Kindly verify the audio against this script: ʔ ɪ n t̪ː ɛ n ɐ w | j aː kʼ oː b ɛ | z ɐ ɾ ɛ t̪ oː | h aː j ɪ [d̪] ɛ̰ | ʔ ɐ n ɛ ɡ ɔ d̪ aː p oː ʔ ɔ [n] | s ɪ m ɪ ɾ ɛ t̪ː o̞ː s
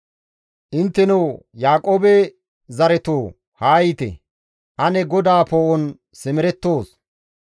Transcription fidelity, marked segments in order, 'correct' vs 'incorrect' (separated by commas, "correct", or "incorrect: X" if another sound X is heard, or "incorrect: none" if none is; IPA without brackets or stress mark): incorrect: t̪, correct